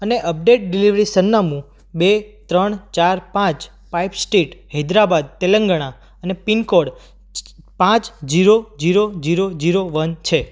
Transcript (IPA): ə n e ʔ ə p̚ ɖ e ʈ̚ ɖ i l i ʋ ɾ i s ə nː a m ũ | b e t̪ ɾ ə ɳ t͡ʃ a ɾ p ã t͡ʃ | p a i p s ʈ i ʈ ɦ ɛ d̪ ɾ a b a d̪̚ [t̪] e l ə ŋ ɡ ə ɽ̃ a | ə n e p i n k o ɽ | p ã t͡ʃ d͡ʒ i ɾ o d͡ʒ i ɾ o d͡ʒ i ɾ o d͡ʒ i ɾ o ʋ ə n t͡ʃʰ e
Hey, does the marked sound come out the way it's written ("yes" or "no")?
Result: yes